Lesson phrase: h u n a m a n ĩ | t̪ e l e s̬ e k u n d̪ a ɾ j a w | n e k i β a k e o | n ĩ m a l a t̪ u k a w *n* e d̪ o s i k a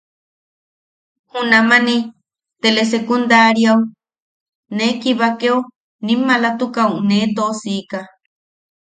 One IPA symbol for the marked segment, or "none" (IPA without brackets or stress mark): n